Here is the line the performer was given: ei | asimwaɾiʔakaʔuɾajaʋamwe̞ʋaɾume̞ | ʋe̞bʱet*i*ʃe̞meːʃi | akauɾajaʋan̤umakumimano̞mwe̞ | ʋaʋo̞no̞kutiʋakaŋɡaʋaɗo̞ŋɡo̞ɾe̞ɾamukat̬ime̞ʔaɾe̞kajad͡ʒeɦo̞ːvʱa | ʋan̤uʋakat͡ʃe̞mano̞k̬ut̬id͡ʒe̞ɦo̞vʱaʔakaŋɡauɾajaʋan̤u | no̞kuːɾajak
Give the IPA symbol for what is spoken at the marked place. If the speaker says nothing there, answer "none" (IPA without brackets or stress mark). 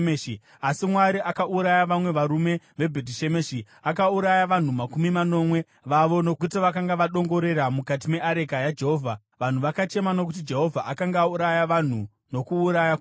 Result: i